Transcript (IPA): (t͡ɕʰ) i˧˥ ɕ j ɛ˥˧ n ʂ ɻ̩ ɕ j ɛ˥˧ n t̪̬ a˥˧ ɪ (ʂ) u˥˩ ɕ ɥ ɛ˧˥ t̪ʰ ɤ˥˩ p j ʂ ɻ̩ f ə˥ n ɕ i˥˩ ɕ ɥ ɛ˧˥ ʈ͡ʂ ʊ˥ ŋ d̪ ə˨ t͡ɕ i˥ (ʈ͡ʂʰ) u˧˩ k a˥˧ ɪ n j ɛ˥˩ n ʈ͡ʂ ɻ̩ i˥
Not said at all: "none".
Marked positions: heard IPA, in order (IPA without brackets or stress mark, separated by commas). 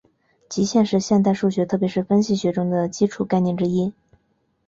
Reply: t͡ɕ, ʂ, ʈ͡ʂʰ